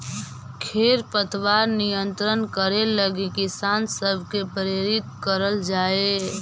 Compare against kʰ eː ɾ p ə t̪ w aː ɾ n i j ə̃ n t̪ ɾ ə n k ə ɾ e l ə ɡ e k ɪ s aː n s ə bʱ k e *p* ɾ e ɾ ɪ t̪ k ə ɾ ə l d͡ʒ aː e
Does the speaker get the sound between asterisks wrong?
no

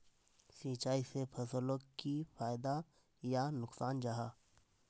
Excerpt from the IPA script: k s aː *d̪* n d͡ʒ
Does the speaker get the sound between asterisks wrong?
yes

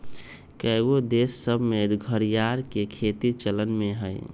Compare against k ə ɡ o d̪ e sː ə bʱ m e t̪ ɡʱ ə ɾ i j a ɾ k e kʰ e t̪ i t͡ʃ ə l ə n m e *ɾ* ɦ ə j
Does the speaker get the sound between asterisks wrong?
yes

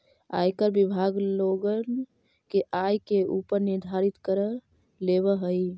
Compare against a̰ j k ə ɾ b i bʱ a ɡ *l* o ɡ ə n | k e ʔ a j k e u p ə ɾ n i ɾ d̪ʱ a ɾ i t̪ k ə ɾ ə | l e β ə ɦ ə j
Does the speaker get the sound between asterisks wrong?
no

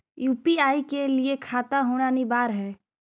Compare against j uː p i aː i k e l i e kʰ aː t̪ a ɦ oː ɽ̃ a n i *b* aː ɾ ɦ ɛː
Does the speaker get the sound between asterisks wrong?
no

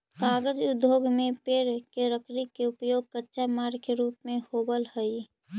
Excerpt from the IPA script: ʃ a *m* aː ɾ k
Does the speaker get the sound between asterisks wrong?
no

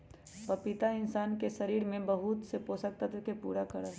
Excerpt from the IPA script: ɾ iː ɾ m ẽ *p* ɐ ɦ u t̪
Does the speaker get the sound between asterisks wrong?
yes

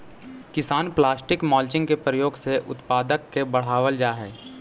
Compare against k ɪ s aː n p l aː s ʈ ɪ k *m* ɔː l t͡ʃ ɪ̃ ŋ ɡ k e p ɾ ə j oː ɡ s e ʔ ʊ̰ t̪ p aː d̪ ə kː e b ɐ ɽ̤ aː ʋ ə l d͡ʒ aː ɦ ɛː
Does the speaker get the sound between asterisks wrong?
no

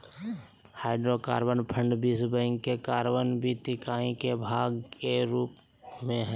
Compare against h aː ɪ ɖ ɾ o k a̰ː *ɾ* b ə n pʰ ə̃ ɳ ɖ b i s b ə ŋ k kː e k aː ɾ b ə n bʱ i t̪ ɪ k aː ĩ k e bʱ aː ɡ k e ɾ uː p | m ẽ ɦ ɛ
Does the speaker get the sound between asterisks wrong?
no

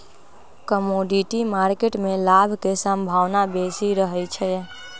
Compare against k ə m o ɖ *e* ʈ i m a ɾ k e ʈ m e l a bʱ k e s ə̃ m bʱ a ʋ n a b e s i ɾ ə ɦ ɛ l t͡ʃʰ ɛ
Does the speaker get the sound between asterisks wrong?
yes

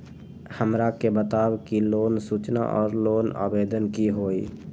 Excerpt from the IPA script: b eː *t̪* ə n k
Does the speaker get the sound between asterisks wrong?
yes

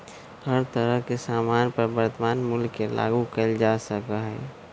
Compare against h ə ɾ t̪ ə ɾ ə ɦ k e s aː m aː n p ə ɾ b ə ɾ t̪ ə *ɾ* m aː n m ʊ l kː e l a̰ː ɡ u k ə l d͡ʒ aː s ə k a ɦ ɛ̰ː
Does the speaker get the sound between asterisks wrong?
yes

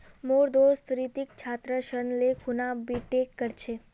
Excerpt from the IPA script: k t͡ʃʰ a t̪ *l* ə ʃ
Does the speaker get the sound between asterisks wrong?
yes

